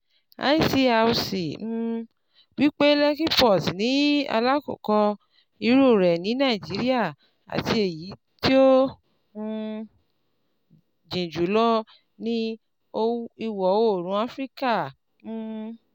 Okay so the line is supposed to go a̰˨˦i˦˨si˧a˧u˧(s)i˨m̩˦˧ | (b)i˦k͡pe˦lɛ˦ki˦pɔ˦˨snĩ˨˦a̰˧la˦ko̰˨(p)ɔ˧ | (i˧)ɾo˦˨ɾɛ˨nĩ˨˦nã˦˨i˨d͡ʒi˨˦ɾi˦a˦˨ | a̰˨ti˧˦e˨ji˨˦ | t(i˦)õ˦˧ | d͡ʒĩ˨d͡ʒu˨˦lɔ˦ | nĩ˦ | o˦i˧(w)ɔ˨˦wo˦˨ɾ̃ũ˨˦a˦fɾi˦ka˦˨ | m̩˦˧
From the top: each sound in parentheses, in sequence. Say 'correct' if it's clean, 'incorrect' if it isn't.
correct, incorrect: w, incorrect: k, correct, correct, correct

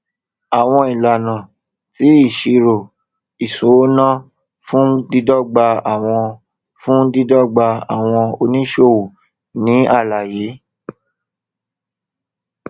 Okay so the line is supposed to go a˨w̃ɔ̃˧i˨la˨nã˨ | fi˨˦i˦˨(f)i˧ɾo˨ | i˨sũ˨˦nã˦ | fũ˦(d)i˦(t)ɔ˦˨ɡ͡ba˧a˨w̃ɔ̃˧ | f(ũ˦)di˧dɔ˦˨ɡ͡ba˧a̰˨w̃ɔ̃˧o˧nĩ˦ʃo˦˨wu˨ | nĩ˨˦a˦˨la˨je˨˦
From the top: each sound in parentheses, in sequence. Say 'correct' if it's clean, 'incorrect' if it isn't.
incorrect: ʃ, correct, incorrect: d, correct

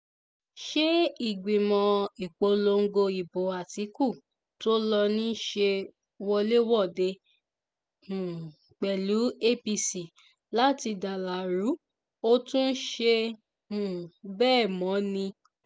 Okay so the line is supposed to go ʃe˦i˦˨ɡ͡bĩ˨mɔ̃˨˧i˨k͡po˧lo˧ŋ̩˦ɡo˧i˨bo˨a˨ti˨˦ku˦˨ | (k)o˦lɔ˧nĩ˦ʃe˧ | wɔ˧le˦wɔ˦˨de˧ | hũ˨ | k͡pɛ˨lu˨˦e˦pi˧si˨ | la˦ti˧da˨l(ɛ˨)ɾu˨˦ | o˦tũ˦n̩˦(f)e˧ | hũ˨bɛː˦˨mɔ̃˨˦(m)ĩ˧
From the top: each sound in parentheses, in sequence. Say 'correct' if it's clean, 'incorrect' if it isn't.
incorrect: t, incorrect: a˨, incorrect: ʃ, incorrect: n

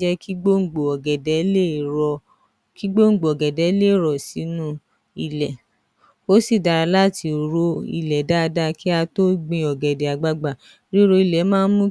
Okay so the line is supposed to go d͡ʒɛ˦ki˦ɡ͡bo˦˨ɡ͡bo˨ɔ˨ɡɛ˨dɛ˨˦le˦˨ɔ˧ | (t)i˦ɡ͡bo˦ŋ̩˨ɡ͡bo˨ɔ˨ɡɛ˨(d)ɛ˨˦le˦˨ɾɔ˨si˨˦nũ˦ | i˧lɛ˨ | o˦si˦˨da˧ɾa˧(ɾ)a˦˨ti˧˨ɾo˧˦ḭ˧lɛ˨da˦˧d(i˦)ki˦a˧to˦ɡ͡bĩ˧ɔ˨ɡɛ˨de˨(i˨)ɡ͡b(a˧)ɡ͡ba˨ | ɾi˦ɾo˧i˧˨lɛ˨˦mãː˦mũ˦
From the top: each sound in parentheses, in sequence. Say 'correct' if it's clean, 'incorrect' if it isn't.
incorrect: k, correct, incorrect: l, incorrect: a˦, incorrect: a˨, correct

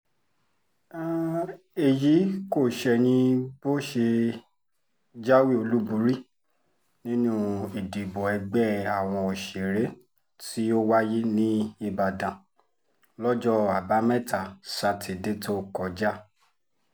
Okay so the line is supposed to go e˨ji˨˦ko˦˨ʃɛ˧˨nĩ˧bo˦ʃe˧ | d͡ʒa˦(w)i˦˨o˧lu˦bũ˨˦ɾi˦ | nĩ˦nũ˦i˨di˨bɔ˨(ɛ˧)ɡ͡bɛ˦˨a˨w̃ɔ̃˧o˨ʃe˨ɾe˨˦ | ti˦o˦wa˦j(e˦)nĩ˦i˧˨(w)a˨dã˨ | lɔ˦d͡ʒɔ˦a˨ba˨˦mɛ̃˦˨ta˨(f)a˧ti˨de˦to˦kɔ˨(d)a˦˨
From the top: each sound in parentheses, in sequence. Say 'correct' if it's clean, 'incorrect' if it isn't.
correct, correct, incorrect: i˦, incorrect: b, incorrect: s, incorrect: d͡ʒ

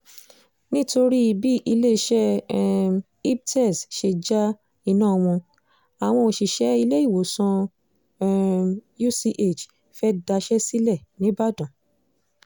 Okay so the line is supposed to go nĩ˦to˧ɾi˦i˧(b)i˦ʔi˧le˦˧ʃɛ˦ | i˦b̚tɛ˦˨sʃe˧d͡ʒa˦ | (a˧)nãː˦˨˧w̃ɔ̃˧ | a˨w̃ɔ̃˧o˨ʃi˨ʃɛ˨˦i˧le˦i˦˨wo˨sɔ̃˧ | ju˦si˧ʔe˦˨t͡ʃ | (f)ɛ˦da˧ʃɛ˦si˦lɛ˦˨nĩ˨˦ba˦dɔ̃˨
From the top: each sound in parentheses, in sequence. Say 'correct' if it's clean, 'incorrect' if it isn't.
correct, incorrect: i˧, correct

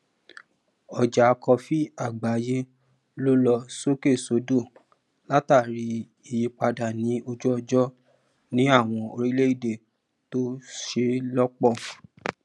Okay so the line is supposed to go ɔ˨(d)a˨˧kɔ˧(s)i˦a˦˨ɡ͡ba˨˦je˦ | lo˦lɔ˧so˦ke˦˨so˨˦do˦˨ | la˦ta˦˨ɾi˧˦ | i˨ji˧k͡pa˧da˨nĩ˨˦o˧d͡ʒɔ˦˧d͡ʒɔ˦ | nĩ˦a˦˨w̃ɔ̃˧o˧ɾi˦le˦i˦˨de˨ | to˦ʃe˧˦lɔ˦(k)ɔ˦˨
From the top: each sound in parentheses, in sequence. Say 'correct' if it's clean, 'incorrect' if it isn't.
incorrect: d͡ʒ, incorrect: f, incorrect: k͡p

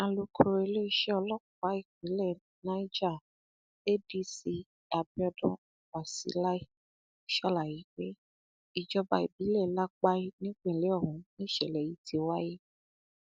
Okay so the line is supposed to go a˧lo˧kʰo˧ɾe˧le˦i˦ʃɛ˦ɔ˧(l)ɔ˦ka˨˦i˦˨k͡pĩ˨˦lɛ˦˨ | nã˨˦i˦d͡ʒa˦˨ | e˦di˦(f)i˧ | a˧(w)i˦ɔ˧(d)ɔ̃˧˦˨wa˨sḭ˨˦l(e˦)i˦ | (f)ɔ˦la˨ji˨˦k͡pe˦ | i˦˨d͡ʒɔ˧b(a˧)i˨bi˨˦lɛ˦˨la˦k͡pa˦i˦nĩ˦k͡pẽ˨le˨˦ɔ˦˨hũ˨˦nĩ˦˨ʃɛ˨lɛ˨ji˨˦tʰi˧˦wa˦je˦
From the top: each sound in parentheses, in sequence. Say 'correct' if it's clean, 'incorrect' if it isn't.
correct, incorrect: s, incorrect: b, correct, incorrect: a˦, incorrect: ʃ, correct

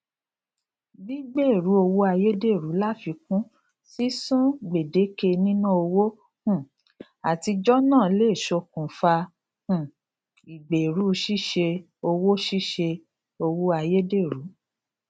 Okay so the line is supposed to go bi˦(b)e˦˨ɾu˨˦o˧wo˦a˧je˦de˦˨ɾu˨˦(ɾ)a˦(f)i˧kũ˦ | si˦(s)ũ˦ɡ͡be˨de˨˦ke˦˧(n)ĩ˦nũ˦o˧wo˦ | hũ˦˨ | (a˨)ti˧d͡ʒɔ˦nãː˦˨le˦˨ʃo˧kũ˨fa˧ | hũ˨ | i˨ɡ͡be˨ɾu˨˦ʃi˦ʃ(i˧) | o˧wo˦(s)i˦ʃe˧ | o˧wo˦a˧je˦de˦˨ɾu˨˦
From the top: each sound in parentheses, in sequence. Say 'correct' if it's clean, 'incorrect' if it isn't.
incorrect: ɡ͡b, incorrect: l, correct, correct, correct, correct, incorrect: e˧, incorrect: ʃ

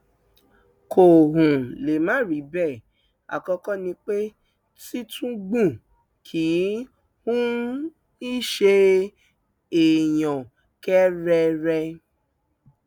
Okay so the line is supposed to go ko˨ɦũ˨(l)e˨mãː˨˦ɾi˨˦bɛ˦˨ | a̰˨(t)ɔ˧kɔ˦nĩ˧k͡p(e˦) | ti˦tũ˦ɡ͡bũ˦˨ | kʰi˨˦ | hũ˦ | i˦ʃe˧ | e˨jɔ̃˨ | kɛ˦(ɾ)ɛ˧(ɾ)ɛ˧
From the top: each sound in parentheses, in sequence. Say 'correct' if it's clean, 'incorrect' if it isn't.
correct, incorrect: k, correct, correct, correct

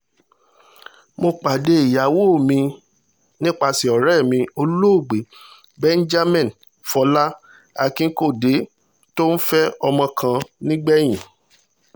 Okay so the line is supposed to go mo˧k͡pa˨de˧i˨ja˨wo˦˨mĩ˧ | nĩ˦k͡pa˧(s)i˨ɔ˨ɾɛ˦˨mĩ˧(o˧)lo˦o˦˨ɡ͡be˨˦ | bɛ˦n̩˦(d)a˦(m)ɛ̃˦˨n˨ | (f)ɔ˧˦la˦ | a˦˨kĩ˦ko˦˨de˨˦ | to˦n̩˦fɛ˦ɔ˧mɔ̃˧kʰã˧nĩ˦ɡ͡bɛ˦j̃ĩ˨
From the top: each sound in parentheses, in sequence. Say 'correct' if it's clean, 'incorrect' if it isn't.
correct, correct, incorrect: d͡ʒ, correct, correct

